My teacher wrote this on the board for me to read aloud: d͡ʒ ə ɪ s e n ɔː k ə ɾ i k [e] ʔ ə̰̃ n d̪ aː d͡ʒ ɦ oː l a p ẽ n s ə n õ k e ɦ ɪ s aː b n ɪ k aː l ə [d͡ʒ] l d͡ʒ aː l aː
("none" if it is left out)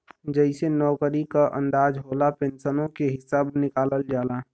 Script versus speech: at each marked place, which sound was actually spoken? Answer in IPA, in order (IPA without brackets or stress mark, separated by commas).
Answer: a, none